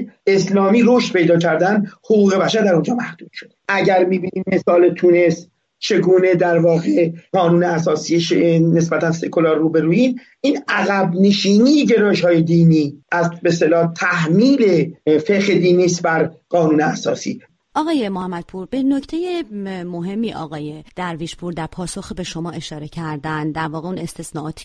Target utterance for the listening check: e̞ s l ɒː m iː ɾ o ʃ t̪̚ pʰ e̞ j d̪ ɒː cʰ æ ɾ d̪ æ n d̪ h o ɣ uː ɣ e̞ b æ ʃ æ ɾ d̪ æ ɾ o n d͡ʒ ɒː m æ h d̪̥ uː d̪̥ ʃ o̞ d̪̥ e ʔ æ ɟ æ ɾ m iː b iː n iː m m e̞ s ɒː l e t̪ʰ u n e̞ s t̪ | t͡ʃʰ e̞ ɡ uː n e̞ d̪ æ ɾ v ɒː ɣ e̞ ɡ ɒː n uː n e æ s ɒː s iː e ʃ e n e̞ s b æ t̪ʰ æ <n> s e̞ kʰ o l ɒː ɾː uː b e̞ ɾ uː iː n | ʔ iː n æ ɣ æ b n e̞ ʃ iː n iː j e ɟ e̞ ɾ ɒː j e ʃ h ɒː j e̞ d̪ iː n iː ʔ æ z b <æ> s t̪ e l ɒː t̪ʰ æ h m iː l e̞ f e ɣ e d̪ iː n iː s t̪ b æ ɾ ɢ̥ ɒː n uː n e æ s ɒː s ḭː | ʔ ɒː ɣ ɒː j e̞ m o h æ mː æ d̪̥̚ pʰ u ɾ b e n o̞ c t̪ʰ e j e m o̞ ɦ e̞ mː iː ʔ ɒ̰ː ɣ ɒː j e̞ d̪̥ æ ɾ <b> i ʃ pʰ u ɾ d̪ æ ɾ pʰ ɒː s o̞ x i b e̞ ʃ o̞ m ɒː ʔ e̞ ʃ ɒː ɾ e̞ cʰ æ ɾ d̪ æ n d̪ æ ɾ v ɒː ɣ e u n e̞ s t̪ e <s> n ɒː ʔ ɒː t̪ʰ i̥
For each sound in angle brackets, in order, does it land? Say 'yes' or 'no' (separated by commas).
yes, no, no, yes